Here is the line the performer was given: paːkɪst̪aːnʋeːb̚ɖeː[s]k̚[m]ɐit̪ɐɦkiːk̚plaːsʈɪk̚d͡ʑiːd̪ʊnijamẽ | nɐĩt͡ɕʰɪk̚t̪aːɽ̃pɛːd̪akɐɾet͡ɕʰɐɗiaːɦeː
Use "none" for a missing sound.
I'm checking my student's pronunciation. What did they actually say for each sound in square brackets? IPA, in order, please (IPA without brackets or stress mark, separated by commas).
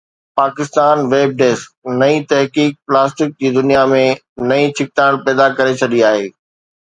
s, n